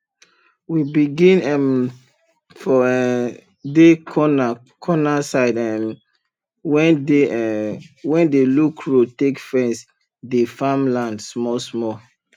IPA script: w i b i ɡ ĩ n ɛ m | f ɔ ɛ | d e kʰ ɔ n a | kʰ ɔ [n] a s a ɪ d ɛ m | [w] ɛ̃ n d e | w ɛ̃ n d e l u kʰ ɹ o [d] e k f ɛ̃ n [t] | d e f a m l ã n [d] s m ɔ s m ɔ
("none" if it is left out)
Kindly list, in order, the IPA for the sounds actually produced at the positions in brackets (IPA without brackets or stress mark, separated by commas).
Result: n, w, t, s, d